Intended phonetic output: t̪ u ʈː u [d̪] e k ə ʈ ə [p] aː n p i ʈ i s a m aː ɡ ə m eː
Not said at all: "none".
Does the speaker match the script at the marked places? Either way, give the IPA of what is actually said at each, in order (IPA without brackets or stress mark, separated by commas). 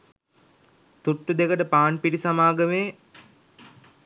d̪, p